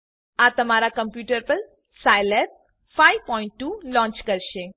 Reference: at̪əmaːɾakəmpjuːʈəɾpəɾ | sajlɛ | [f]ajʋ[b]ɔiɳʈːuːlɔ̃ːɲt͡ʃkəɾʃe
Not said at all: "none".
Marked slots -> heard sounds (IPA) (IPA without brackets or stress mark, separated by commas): f, p